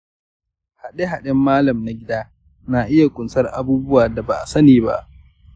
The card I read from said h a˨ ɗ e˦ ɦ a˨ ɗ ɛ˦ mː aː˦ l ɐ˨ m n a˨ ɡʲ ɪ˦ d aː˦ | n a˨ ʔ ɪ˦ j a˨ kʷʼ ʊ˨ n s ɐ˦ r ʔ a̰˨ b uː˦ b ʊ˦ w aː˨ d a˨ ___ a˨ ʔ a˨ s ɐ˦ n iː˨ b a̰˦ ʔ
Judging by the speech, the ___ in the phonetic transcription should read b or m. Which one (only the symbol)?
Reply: b